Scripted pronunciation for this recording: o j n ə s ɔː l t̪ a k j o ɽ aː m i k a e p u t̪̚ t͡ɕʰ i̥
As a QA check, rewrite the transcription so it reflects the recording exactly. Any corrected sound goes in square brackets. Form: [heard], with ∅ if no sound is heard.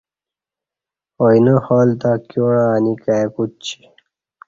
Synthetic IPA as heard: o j n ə [h] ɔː l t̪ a k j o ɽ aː [n] i k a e [k] u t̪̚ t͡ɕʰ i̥